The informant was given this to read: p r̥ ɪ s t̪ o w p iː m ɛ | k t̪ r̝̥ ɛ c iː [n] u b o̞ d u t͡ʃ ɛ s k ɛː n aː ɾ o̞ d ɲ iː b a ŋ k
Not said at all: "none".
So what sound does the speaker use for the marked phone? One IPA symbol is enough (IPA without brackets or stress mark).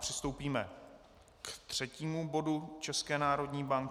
m